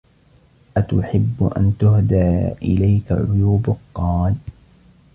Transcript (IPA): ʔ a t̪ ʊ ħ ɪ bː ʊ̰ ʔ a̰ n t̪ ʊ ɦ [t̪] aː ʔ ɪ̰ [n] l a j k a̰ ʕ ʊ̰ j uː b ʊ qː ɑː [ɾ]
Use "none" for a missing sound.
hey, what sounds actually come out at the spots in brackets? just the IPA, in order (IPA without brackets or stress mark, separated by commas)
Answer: d̪, none, l